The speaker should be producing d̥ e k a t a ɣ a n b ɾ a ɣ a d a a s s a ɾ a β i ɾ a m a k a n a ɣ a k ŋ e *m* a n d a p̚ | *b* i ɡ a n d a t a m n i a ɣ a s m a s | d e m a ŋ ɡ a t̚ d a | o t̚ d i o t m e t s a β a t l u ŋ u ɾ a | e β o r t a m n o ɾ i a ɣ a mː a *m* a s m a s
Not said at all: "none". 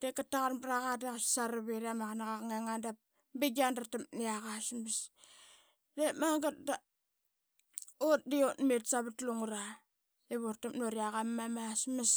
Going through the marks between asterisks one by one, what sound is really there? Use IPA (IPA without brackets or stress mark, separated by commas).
ŋ, b, m